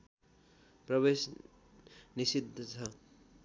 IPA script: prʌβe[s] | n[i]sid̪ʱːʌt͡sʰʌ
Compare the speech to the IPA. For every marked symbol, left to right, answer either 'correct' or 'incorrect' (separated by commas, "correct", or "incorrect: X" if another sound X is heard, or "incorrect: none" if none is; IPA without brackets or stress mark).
correct, correct